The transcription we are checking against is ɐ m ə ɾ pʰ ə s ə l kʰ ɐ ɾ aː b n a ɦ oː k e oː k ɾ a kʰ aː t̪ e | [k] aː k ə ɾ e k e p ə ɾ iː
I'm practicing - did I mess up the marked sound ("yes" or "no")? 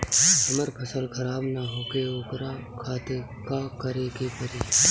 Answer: no